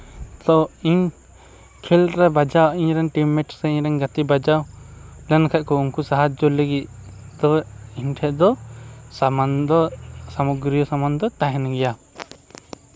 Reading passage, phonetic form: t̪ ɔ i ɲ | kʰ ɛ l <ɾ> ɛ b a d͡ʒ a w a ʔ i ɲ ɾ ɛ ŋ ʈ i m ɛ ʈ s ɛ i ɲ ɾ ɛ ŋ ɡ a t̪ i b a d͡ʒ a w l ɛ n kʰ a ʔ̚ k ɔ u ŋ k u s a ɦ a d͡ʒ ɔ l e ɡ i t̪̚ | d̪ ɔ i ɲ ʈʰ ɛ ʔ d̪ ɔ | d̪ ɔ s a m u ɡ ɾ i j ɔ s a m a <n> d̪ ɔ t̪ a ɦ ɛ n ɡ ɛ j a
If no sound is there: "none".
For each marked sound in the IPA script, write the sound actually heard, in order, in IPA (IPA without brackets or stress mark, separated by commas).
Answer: ɾ, n